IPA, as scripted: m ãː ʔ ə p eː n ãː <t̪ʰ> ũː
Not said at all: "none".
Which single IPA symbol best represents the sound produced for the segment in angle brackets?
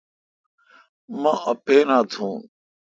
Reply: t̪ʰ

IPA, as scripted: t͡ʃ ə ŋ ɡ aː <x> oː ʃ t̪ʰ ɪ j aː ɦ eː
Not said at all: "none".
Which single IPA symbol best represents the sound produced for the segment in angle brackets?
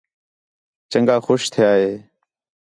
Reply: x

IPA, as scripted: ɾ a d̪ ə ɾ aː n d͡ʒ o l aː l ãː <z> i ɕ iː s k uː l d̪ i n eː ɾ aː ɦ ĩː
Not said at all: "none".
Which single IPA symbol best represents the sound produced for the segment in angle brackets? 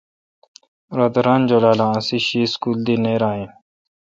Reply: s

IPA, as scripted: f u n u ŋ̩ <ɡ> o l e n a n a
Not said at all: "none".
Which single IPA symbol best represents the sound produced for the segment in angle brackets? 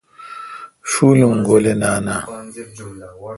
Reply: ɡ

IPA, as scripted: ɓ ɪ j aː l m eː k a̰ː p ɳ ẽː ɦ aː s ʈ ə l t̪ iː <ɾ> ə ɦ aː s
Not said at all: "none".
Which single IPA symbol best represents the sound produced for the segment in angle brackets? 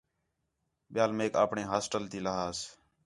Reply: l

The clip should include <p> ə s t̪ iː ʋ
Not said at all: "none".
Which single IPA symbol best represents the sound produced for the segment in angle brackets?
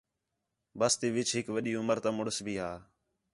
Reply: b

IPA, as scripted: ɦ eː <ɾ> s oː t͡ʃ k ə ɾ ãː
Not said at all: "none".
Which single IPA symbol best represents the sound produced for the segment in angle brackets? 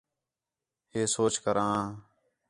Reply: none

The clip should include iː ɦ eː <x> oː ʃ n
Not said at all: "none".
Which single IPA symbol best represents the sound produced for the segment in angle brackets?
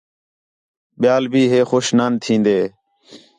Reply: x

